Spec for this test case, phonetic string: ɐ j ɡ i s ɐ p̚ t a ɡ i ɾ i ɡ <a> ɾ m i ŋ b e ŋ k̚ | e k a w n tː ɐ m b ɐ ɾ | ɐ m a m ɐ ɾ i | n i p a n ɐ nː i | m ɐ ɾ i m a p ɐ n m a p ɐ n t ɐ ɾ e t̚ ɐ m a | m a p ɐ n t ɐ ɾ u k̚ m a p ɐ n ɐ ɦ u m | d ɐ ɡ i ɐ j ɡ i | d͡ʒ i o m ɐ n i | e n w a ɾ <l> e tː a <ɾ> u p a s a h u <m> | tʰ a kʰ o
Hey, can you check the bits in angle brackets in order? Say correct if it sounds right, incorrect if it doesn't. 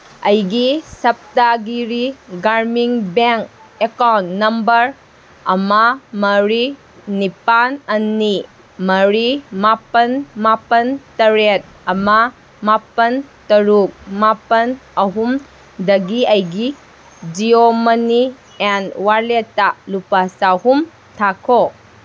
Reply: correct, correct, incorrect: l, correct

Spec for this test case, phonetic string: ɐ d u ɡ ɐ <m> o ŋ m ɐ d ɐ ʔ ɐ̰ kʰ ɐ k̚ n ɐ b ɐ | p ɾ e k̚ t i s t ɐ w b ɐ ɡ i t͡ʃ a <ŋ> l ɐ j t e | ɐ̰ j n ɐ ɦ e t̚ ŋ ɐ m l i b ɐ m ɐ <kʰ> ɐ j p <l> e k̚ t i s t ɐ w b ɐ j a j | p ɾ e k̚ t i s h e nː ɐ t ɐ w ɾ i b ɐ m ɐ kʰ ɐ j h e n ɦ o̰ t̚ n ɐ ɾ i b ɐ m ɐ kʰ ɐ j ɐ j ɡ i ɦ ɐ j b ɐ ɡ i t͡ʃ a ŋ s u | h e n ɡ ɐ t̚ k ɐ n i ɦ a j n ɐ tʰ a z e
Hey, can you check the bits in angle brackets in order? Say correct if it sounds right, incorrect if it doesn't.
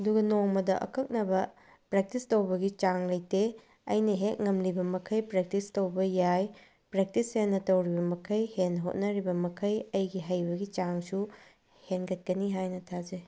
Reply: incorrect: n, correct, correct, incorrect: ɾ

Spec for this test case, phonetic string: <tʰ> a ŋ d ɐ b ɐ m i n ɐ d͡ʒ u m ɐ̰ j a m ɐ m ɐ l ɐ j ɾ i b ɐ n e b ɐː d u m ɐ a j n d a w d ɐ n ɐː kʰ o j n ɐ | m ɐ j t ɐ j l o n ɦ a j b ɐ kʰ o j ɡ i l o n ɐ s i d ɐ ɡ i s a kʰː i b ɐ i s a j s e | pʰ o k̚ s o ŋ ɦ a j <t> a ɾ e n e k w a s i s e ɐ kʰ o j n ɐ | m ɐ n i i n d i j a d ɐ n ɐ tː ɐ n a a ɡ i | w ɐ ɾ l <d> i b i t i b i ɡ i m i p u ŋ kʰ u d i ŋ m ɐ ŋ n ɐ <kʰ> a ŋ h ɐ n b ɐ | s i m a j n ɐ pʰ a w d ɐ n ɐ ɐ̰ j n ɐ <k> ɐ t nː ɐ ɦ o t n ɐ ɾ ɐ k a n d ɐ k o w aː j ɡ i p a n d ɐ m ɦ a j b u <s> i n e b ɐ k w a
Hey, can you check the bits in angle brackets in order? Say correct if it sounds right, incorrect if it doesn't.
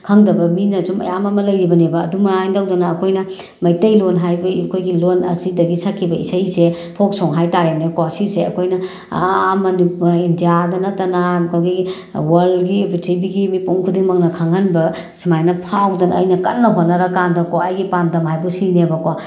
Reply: incorrect: kʰ, correct, incorrect: ɡ, correct, correct, correct

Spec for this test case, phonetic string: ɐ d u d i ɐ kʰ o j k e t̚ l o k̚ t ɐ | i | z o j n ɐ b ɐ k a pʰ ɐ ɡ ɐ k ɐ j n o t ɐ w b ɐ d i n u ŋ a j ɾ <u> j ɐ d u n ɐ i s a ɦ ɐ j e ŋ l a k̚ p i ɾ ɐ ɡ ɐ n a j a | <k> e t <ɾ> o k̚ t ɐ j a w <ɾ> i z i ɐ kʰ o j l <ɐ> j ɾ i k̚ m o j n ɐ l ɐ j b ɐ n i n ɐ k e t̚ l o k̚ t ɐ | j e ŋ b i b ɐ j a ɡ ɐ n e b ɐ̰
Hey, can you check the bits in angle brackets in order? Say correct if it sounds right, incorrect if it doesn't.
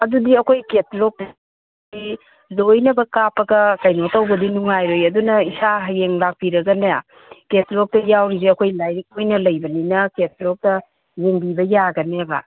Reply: incorrect: o, correct, incorrect: l, correct, incorrect: a

